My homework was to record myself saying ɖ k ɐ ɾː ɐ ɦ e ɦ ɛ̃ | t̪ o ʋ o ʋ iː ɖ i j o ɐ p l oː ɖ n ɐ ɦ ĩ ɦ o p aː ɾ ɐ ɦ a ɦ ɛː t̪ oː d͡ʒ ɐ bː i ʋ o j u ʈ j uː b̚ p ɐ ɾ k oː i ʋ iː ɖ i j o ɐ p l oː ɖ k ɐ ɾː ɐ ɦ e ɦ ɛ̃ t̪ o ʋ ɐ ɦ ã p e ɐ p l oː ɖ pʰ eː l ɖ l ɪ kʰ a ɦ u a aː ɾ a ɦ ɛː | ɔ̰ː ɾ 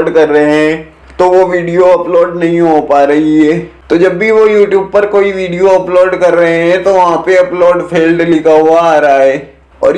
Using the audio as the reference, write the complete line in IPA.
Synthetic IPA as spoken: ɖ k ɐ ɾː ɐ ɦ e ɦ ɛ̃ | t̪ o ʋ o ʋ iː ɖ i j o ɐ p l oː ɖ n ɐ ɦ ĩ ɦ o p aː ɾ ɐ ɦ i ɦ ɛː t̪ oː d͡ʒ ɐ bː i ʋ o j uː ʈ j uː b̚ p ɐ ɾ k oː i ʋ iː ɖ i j o ɐ p l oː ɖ k ɐ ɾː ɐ ɦ e ɦ ɛ̃ t̪ o ʋ ɐ ɦ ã p e ɐ p l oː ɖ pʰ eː l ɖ l ɪ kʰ a ɦ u a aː ɾ a ɦ ɛː | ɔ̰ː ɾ